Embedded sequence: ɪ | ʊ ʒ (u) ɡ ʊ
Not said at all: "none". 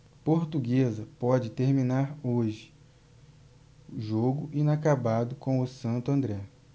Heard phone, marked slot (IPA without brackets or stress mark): o